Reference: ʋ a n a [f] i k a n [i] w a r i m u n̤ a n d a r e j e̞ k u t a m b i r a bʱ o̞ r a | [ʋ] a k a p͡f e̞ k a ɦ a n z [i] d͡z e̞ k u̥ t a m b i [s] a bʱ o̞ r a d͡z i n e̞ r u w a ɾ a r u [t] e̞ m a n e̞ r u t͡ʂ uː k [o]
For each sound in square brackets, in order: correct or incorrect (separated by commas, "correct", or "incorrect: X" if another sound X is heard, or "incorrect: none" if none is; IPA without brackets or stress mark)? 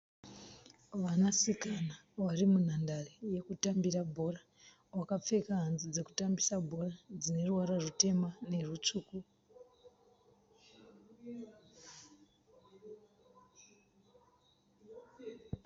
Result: incorrect: s, incorrect: a, incorrect: w, correct, correct, correct, incorrect: u